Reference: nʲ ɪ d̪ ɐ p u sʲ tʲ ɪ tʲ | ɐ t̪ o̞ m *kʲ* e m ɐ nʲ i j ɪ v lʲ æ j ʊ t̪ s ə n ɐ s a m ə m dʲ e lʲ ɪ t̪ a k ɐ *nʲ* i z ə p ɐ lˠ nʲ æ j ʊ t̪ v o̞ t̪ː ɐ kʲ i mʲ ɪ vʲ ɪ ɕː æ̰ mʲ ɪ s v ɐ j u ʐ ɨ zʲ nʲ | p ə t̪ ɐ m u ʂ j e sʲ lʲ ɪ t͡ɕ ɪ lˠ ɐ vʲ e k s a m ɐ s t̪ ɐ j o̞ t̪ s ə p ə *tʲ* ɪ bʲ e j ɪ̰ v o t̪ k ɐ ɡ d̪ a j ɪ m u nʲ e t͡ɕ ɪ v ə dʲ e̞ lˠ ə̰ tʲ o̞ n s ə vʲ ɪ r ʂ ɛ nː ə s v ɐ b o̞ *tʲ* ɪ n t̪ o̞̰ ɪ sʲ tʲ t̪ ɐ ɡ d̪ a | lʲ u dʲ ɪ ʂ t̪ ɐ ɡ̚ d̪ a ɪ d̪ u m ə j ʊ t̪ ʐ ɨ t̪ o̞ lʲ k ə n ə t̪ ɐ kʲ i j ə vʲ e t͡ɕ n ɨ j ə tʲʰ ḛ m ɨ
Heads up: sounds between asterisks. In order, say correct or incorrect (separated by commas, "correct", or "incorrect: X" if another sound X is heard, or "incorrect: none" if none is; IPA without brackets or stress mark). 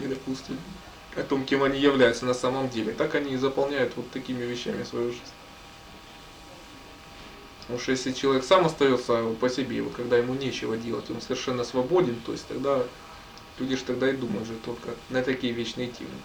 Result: correct, correct, incorrect: sʲ, incorrect: dʲ